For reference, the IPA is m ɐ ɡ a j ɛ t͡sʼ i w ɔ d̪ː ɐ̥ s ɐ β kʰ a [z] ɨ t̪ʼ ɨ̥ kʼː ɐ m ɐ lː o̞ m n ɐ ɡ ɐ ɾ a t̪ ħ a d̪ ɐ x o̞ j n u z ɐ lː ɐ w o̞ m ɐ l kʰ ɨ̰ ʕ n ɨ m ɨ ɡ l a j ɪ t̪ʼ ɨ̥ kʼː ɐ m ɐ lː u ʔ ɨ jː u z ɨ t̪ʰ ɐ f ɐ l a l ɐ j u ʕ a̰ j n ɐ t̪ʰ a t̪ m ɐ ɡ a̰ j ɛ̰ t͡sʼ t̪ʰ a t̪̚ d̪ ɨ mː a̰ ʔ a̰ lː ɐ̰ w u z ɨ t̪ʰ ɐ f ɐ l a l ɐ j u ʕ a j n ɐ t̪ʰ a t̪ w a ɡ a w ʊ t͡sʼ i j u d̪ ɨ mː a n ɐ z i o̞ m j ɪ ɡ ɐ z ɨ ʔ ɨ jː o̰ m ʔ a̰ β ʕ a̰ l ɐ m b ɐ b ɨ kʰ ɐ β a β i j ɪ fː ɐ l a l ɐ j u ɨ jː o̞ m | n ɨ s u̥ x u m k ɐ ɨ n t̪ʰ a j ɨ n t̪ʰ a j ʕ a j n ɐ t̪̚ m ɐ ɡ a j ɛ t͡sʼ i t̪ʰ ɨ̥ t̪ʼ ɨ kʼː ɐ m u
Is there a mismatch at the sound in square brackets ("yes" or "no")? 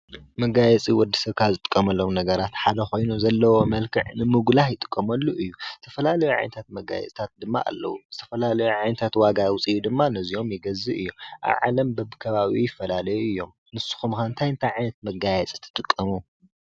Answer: no